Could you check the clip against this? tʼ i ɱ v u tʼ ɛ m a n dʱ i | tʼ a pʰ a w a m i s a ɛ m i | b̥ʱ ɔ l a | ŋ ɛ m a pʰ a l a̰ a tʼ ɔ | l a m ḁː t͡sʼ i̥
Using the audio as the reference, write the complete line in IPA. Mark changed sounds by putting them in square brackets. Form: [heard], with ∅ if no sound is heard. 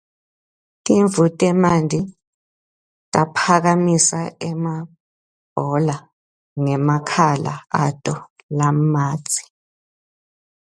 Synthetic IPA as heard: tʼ i ɱ v u tʼ ɛ m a n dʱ i | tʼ a pʰ a [ɣ] a m i s a ɛ m [a] | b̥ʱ ɔ l a | ŋ ɛ m a [kʰ] a l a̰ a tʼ ɔ | l a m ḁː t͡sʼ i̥